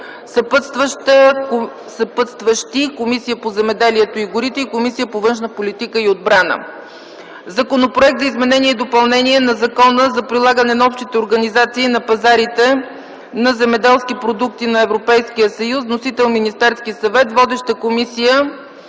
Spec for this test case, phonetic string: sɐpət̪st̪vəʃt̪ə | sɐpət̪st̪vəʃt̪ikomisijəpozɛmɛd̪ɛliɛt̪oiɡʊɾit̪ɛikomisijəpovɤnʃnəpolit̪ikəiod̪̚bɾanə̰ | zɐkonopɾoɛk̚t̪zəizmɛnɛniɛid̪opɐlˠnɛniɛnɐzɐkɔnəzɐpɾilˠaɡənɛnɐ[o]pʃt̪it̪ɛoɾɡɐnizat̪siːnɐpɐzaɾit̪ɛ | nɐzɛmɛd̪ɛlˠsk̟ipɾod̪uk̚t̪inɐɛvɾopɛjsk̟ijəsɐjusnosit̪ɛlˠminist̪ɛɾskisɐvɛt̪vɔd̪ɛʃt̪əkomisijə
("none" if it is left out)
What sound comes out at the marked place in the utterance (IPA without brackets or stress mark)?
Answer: ɔ